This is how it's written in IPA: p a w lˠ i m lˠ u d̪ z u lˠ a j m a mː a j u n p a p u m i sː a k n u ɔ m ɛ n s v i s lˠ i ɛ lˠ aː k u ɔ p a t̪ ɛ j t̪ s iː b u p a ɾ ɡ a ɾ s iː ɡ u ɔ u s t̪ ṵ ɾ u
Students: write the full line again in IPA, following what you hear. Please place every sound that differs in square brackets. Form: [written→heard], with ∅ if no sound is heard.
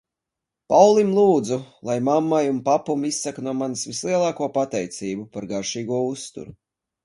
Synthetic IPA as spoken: p a w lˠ i m lˠ [u→uː] d̪ z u lˠ a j m a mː a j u n p a p u m i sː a k n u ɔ m [ɛ→a] n s v i s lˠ i ɛ lˠ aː k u ɔ p a t̪ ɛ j t̪ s iː b u p a ɾ ɡ a ɾ [s→ʃ] iː ɡ u ɔ u s t̪ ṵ ɾ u